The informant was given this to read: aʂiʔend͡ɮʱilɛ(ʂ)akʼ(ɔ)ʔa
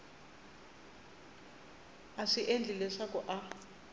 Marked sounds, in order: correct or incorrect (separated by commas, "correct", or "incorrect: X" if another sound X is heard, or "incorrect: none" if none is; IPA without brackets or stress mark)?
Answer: correct, correct